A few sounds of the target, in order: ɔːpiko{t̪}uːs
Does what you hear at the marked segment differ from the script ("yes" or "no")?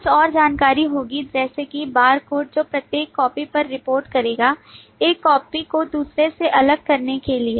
yes